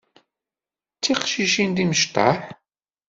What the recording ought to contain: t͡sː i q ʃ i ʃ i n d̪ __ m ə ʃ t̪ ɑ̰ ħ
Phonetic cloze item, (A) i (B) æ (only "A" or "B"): A